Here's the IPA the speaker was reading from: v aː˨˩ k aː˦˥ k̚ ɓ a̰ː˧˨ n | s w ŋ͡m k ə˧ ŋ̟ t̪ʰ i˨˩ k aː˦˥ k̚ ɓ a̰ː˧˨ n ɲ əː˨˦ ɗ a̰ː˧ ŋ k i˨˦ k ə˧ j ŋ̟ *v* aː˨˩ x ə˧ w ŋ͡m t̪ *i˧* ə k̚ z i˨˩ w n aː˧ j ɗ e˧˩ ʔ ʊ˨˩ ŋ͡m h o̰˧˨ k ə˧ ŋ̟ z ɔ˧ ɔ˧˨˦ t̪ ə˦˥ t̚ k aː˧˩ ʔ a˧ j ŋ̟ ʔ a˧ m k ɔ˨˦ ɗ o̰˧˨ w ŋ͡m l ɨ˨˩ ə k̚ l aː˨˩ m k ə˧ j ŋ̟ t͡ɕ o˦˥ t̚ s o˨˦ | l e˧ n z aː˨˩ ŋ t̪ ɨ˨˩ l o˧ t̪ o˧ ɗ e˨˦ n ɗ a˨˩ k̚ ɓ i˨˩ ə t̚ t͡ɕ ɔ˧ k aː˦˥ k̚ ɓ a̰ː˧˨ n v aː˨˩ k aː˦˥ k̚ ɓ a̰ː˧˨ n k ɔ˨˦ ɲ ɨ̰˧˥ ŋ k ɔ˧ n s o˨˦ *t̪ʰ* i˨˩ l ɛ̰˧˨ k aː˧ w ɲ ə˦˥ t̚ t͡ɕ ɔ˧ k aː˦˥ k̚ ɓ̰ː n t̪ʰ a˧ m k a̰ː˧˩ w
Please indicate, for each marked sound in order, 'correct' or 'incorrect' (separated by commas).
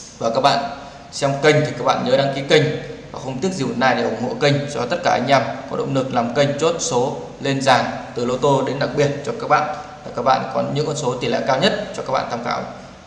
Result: correct, incorrect, incorrect